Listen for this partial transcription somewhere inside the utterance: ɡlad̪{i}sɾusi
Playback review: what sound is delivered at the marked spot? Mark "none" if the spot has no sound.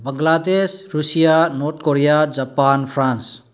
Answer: e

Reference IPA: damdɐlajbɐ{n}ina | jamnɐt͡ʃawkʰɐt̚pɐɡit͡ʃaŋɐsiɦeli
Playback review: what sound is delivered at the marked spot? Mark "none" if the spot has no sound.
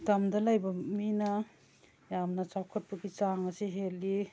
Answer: m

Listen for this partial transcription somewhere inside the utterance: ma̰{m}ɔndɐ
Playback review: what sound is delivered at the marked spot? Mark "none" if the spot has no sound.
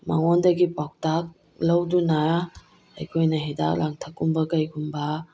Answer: ŋ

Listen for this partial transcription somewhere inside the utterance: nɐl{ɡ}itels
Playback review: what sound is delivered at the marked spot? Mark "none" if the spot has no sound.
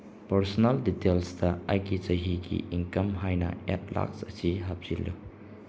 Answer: d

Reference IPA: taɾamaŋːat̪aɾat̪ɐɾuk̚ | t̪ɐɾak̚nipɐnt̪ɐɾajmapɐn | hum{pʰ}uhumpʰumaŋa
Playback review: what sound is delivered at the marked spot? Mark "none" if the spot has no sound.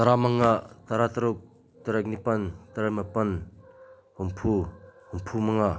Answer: pʰ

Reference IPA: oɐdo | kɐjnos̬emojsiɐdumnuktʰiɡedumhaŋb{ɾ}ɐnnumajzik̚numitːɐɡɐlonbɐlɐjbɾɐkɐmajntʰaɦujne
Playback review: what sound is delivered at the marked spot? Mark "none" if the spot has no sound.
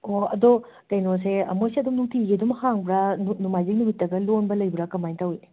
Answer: ɾ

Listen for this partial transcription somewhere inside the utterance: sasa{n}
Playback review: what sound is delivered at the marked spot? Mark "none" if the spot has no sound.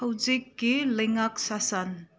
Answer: n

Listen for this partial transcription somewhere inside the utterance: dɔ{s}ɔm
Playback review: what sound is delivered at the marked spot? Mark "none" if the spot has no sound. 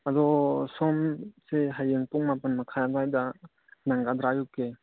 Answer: s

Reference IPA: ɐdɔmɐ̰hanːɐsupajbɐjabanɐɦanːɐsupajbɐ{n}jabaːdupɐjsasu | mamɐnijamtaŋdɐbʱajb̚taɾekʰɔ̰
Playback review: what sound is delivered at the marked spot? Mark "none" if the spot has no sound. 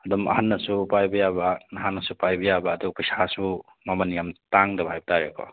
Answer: none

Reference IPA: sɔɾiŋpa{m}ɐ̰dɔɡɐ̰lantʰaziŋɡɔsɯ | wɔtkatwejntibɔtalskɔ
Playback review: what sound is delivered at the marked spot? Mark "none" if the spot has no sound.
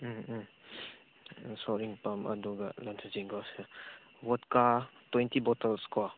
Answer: m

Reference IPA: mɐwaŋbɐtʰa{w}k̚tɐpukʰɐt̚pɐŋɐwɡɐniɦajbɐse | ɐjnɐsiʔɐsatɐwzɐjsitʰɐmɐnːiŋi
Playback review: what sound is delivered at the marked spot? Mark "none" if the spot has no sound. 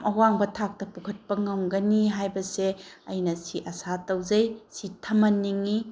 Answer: none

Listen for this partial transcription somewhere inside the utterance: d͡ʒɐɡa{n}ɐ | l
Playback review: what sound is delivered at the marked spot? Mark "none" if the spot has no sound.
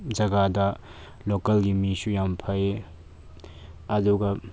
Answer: d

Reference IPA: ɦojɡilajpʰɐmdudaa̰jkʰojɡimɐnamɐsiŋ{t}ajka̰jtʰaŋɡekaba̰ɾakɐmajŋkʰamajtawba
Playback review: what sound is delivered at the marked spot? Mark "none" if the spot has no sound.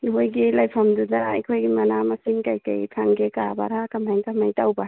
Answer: k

